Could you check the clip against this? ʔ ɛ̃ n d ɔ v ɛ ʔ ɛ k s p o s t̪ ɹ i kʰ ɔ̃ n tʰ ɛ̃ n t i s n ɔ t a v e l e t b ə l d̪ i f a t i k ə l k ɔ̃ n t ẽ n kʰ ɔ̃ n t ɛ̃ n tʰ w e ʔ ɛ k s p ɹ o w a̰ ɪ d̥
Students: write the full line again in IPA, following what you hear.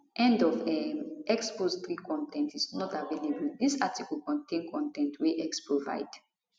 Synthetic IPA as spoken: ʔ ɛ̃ n d ɔ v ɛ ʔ ɛ k s p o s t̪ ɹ i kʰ ɔ̃ n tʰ ɛ̃ n t i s n ɔ t a v e l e b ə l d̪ i s a t i k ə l k ɔ̃ n t ẽ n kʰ ɔ̃ n t ɛ̃ n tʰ w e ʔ ɛ k s p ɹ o v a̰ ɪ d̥